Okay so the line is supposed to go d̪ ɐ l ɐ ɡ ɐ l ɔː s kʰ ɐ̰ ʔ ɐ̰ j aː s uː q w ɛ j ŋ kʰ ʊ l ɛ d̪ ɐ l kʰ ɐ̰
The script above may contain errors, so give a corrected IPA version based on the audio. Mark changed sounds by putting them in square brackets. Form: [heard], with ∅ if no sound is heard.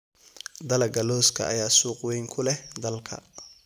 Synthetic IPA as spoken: d̪ ɐ l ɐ ɡ ɐ l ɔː s kʰ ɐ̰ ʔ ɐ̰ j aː s uː q w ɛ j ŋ kʰ ʊ l ɛ d̪ ɐ l kʰ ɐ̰